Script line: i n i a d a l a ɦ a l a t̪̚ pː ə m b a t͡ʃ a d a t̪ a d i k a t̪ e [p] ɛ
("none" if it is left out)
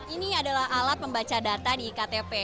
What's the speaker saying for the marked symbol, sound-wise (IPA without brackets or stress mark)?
p